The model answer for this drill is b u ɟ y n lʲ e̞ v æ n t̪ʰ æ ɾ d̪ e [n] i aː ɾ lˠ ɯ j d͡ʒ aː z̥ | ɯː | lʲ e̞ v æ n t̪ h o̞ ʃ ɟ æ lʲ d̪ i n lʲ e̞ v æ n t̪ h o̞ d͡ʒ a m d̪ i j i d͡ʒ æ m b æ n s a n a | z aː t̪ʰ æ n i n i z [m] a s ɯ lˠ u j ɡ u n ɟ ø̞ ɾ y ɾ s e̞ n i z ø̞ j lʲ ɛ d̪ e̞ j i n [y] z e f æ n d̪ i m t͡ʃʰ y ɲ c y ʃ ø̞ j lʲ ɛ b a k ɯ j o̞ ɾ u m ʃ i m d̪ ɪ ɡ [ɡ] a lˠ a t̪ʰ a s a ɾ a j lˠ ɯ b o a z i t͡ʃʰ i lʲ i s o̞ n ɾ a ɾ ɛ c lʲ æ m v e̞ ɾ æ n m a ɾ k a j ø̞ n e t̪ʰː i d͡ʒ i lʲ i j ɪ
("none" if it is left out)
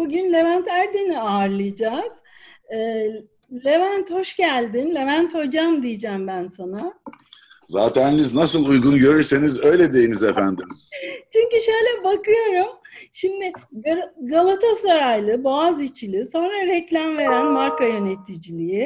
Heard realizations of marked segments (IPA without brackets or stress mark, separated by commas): n, n, i, ɡ